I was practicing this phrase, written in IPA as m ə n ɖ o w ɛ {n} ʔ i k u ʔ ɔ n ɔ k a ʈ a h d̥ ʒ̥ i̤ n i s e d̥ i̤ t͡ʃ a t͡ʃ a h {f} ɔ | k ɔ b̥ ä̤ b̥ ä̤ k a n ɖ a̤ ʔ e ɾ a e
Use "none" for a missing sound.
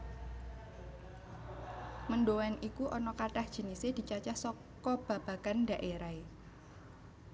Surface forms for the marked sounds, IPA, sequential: n, s

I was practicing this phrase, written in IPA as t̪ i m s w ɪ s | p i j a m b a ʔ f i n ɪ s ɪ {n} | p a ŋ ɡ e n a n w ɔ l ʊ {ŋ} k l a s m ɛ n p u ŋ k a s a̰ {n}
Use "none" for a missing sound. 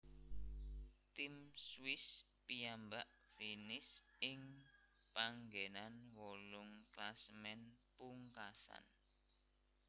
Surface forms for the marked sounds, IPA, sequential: ŋ, ŋ, n

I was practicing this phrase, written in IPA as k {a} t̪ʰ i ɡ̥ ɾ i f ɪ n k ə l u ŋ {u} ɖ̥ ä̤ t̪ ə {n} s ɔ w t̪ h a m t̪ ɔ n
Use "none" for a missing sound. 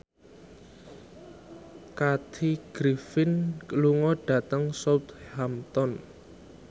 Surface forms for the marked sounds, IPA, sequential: a, ɔ, ŋ

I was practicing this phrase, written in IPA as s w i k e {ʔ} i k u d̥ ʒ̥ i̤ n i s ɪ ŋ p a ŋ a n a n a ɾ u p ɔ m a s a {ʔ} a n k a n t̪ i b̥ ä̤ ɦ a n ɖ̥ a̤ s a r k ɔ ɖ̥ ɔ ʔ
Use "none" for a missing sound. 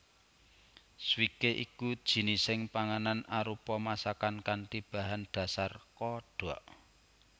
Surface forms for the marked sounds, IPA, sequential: ʔ, k

